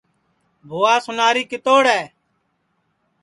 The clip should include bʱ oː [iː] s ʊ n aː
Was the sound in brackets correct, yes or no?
no